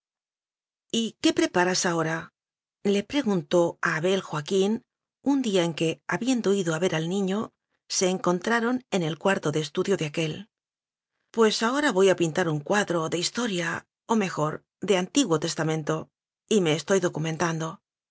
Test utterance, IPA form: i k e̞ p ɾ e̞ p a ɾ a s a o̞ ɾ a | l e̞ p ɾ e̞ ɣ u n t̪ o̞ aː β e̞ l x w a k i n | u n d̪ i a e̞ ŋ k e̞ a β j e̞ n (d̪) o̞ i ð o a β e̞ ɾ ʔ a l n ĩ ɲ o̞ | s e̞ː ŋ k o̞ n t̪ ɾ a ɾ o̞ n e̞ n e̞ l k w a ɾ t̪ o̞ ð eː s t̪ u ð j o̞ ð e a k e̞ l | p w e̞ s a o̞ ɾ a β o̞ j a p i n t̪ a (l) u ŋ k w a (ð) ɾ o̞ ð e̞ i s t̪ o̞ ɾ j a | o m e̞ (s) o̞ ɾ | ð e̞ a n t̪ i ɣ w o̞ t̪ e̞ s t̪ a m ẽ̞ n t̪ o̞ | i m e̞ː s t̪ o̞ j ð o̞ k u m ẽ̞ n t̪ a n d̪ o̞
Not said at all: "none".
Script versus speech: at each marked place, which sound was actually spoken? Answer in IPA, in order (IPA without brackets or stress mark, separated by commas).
d̪, ɾ, ð, x